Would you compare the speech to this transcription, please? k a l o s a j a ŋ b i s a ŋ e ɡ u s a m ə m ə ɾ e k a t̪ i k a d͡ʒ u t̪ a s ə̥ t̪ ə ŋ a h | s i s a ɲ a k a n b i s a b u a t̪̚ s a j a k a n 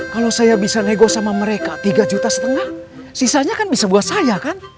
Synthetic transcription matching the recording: k a l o s a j a b i s a n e ɡ o s a m a m ə ɾ e k a t̪ i ɡ a d͡ʒ u t̪ a s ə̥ t̪ ə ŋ a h | s i s a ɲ a k a n b i s a b u a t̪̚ s a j a k a n